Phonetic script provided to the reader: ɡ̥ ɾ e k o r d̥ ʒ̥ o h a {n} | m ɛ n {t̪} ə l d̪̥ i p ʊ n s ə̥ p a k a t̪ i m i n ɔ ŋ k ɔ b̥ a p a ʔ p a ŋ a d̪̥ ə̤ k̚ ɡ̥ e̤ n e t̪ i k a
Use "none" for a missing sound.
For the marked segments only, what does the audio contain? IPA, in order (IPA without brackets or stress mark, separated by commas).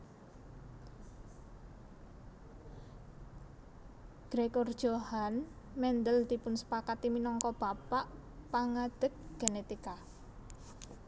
n, d̪